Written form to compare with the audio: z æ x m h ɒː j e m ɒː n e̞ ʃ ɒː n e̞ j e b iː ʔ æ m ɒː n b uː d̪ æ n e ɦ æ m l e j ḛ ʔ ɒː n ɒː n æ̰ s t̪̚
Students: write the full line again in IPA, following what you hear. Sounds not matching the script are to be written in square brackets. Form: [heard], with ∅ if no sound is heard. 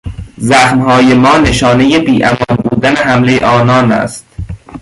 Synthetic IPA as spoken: z æ x m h ɒː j e m ɒː n e̞ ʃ ɒː n e̞ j e b iː ʔ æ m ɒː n b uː d̪ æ n e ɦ æ m l e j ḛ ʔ ɒː n ɒː n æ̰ s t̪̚